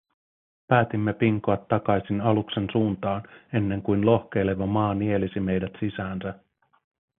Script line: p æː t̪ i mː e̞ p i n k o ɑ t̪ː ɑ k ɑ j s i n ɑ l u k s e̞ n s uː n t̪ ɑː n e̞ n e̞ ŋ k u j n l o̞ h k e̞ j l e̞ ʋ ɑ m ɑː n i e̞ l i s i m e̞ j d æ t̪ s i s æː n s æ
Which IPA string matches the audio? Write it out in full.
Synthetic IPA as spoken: p æː t̪ i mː e̞ p i ŋ k o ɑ t̪ː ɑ k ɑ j s i n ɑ l u k s e̞ n s uː n t̪ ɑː n e̞ nː e̞ ŋ k u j n l o̞ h k e̞ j l e̞ ʋ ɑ m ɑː n i e̞ l i s i m e̞ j d æ t̪ s i s æː n s æ